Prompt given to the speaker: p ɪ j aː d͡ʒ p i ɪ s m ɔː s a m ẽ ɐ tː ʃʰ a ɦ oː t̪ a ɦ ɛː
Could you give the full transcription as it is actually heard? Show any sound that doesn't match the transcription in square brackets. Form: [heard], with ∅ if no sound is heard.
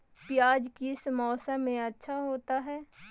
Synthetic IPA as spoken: p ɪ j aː d͡ʒ [k] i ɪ s m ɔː s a m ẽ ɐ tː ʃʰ a ɦ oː t̪ a ɦ ɛː

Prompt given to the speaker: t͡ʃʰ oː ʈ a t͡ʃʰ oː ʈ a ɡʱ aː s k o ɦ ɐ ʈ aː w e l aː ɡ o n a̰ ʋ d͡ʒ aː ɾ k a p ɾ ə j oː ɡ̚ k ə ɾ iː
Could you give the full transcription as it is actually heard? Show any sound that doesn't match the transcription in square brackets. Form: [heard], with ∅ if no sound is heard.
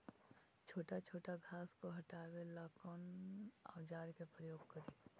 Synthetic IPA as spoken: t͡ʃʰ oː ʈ a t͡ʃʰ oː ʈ a ɡʱ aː s k o ɦ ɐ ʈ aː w e l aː [k] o n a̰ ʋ d͡ʒ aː ɾ k [e] p ɾ ə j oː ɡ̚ k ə ɾ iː

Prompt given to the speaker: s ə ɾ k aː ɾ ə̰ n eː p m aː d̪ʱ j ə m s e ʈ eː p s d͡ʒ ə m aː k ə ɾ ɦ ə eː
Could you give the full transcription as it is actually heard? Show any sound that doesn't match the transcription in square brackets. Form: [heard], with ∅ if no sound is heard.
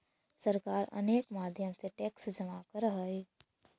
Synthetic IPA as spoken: s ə ɾ k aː ɾ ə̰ n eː [k] m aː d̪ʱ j ə m s e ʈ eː [k] s d͡ʒ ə m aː k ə ɾ ɦ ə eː

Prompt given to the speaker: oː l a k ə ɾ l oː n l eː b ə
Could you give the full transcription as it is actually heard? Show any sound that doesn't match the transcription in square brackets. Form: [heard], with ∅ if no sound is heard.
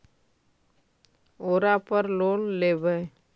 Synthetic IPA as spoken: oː [ɾ] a [p] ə ɾ l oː n l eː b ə

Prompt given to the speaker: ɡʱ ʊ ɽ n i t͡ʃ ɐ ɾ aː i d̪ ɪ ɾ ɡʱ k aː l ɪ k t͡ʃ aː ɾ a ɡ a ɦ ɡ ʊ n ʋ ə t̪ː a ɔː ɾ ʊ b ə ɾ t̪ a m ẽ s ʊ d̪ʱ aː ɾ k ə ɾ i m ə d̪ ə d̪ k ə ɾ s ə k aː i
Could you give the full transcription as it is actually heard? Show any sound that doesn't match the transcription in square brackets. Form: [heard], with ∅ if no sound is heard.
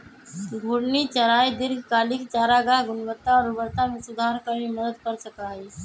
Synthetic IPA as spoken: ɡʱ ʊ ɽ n i t͡ʃ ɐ ɾ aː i d̪ ɪ ɾ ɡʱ k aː l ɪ k t͡ʃ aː ɾ a ɡ a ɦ ɡ ʊ n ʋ ə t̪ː a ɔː ɾ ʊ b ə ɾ t̪ a m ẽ s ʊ d̪ʱ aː ɾ k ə ɾ i m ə d̪ ə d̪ k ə ɾ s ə k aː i

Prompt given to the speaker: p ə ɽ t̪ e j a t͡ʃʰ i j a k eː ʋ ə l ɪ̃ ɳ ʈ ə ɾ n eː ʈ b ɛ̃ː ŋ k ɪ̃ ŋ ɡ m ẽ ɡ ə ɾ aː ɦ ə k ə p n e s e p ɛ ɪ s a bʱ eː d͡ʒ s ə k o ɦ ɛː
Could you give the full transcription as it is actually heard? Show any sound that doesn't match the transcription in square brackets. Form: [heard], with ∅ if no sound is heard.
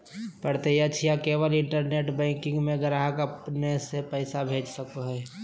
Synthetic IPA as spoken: p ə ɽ t̪ e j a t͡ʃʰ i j a k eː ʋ ə l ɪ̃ ɳ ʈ ə ɾ n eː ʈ b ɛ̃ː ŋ k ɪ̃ ŋ ɡ m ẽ ɡ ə ɾ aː ɦ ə k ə p n e s e p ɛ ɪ s a bʱ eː d͡ʒ s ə k o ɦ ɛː

